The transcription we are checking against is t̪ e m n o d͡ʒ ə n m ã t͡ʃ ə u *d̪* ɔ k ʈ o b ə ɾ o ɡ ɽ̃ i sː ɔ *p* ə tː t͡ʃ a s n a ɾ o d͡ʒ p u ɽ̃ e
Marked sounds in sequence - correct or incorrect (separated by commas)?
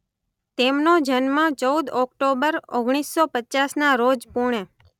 correct, correct